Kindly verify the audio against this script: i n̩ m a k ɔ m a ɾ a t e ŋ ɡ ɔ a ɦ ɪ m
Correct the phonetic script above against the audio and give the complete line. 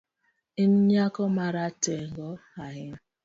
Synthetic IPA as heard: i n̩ ɲ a k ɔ m a ɾ a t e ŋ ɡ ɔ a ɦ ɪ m